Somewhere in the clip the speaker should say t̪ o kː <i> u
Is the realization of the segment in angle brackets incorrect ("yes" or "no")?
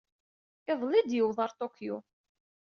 yes